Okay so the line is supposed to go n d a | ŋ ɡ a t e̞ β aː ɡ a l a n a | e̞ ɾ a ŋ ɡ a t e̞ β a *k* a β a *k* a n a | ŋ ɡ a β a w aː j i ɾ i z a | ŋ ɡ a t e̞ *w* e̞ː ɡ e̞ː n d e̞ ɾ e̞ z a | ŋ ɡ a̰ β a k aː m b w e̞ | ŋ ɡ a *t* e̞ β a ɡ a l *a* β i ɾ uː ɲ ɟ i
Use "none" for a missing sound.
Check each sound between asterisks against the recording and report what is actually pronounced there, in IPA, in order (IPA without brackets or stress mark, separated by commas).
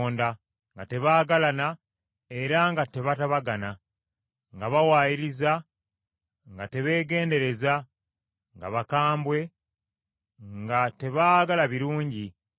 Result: t, ɡ, β, t, a